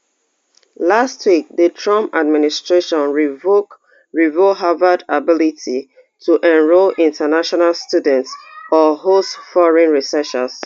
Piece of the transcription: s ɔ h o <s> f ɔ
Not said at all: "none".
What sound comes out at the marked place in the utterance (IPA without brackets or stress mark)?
s